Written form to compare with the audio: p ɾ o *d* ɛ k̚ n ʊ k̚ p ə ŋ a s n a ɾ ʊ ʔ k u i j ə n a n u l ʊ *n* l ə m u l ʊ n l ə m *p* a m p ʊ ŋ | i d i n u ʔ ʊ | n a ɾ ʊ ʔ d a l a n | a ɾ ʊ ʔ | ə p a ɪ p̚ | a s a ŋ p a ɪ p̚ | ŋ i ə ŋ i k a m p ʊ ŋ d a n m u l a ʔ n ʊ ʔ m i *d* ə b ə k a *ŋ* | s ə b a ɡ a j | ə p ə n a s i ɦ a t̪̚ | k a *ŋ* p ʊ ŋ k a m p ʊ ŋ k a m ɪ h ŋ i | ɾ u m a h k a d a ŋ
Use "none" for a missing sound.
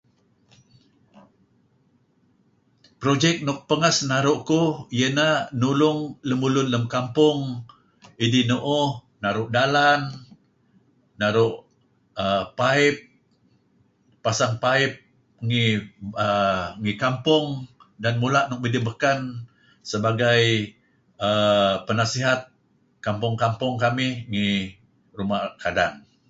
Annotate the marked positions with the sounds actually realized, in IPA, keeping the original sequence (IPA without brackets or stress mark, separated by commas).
d͡ʒ, ŋ, k, d, n, m